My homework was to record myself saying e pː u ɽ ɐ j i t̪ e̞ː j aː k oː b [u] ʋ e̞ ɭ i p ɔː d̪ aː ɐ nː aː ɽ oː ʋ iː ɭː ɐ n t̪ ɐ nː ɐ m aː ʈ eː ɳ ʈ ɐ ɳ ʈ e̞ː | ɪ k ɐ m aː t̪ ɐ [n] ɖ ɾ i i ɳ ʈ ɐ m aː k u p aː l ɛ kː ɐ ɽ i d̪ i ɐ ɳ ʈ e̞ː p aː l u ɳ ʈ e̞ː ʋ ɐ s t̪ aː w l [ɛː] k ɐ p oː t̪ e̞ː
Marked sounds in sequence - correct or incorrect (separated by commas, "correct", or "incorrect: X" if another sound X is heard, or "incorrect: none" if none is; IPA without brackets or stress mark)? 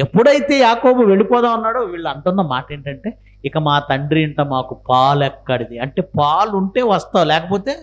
correct, incorrect: ɳ, correct